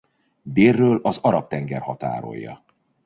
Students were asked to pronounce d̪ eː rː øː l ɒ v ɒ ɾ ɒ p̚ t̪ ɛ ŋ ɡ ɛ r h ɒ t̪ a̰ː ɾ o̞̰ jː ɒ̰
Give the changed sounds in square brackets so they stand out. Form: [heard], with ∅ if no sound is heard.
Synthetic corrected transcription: d̪ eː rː øː l ɒ [z] ɒ ɾ ɒ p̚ t̪ ɛ ŋ ɡ ɛ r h ɒ t̪ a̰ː ɾ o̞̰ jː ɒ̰

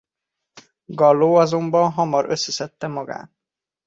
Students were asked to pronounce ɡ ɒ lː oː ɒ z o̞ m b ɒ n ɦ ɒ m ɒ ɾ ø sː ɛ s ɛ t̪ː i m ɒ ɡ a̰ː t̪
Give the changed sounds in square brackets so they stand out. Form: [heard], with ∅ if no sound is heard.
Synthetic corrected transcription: ɡ ɒ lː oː ɒ z o̞ m b ɒ n ɦ ɒ m ɒ ɾ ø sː ɛ s ɛ t̪ː [ɛ] m ɒ ɡ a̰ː t̪

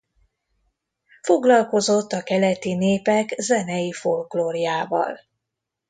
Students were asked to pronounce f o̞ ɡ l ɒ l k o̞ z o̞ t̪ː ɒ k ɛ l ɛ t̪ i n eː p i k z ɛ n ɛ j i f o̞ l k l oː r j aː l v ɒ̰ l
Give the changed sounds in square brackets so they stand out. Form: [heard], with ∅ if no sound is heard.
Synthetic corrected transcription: f o̞ ɡ l ɒ l k o̞ z o̞ t̪ː ɒ k ɛ l ɛ t̪ i n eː p [ɛ] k z ɛ n ɛ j i f o̞ l k l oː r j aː [∅] v ɒ̰ l

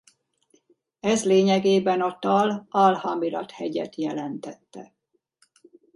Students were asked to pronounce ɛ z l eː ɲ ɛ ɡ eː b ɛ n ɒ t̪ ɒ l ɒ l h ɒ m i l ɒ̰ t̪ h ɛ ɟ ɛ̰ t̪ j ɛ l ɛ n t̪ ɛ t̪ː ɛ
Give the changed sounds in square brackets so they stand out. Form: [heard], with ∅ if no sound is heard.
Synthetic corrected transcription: ɛ z l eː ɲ ɛ ɡ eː b ɛ n ɒ t̪ ɒ l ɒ l h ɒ m i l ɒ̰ t̪ h ɛ ɟ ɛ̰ t̪ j ɛ l ɛ n t̪ ɛ t̪ː ɛ

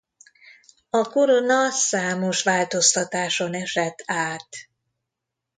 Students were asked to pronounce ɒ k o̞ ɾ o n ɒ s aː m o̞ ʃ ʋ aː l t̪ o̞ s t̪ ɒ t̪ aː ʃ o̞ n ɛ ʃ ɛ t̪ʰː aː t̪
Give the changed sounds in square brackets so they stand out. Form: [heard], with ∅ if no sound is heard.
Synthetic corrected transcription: ɒ k o̞ ɾ o n ɒ s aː m o̞ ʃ ʋ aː l t̪ o̞ s t̪ ɒ t̪ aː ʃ o̞ n ɛ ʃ ɛ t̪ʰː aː t̪

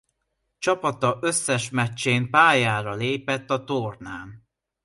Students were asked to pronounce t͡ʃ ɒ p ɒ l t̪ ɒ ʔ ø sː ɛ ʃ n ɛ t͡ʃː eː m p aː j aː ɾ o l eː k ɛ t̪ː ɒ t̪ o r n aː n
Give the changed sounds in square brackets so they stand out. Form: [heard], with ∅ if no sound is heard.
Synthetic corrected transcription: t͡ʃ ɒ p ɒ [∅] t̪ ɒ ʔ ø sː ɛ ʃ [m] ɛ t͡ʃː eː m p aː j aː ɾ [ɒ] l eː [p] ɛ t̪ː ɒ t̪ o r n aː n

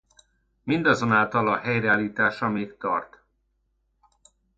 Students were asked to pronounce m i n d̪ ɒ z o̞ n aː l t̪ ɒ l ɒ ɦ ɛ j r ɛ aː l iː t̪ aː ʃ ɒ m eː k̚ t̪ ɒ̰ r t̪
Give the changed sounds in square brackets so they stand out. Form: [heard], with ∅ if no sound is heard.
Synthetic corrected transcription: m i n d̪ ɒ z o̞ n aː l t̪ ɒ l ɒ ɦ ɛ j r ɛ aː l iː t̪ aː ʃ ɒ m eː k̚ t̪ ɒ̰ r t̪

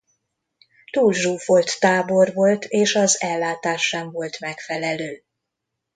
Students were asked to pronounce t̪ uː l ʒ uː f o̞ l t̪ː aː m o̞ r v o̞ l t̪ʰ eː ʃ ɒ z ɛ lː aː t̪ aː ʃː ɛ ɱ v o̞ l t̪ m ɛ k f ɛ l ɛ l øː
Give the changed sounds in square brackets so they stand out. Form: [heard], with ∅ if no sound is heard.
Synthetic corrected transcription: t̪ uː l ʒ uː f o̞ l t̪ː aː [b] o̞ r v o̞ l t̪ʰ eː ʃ ɒ z ɛ lː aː t̪ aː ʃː ɛ ɱ v o̞ l t̪ m ɛ k f ɛ l ɛ l øː

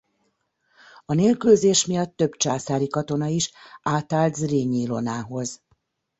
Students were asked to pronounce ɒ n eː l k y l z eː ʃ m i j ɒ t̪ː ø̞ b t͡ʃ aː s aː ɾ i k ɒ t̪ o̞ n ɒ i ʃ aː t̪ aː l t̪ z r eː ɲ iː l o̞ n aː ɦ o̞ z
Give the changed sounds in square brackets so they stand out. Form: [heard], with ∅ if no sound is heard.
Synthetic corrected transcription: ɒ n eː l k y l z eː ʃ m i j ɒ t̪ː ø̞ b t͡ʃ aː s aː ɾ i k ɒ t̪ o̞ n ɒ i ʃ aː t̪ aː l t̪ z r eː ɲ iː l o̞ n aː ɦ o̞ z

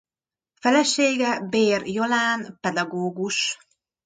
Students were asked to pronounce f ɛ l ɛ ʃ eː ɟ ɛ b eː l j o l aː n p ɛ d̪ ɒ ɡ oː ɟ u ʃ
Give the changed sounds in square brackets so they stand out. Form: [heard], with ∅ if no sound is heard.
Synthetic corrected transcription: f ɛ l ɛ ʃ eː [ɡ] ɛ b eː [r] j o l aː n p ɛ d̪ ɒ ɡ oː [ɡ] u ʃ

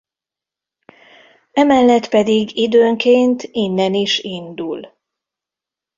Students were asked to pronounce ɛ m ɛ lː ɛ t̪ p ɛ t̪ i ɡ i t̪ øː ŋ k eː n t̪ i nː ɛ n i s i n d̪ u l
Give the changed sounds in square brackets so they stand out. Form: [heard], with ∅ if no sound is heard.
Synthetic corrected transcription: ɛ m ɛ lː ɛ t̪ p ɛ [d̪] i ɡ i [d̪] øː ŋ k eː n t̪ i nː ɛ n i [ʃ] i n d̪ u l

